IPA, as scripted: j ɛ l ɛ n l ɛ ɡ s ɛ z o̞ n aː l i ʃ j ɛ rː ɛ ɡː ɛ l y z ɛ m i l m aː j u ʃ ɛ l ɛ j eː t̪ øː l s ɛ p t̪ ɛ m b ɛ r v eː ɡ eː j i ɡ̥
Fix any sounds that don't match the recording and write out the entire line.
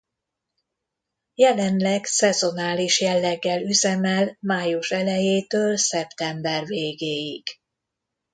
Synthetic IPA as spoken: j ɛ l ɛ n l ɛ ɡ s ɛ z o̞ n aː l i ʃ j ɛ lː ɛ ɡː ɛ l y z ɛ m ɛ l m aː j u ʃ ɛ l ɛ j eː t̪ øː l s ɛ p t̪ ɛ m b ɛ r v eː ɡ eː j i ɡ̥